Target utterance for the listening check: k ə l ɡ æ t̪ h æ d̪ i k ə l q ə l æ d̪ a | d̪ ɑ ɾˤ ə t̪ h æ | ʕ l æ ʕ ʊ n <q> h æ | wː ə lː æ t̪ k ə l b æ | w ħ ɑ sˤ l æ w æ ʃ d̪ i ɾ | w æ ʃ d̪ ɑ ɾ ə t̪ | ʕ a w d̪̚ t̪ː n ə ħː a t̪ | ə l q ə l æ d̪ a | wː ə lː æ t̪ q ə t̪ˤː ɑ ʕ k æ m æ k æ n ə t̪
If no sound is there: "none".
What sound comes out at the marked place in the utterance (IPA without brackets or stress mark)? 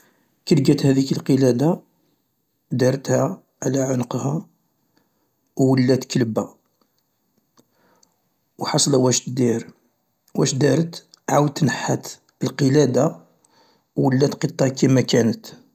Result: q